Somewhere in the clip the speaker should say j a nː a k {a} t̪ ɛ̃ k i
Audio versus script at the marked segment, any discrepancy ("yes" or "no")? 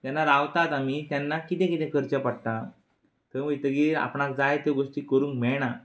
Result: yes